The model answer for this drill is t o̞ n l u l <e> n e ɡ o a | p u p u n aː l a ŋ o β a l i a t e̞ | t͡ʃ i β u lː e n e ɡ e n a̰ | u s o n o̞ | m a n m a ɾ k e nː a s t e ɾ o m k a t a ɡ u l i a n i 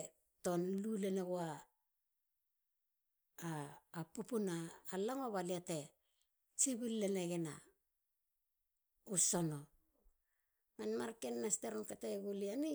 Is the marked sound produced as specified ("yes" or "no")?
yes